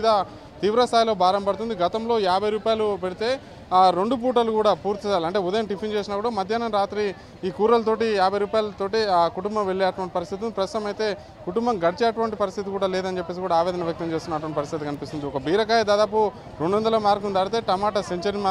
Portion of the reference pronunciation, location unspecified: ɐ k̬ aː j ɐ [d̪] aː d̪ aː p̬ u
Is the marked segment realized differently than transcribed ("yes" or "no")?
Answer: no